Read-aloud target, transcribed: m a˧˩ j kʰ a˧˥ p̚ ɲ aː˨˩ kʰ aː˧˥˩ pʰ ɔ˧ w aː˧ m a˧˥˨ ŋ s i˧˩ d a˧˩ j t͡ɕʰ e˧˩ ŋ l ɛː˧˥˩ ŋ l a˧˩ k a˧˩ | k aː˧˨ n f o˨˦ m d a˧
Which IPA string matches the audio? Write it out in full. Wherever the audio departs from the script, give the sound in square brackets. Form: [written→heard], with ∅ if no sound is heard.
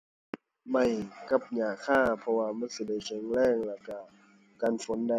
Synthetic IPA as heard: m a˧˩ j [kʰ→k] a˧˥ p̚ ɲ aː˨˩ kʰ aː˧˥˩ pʰ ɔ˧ w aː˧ m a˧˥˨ [ŋ→n] s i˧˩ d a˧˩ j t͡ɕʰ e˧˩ ŋ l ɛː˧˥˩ ŋ l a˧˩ k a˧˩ | k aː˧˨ n f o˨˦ [m→n] d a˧